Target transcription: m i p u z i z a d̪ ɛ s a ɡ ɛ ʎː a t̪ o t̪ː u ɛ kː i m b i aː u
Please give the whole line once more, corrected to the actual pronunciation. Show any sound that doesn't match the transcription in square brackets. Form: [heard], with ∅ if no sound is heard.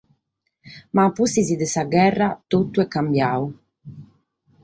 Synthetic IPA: m [a] p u [s] i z [i] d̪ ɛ s a ɡ ɛ [rː] a t̪ o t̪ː u ɛ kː [a] m b [j] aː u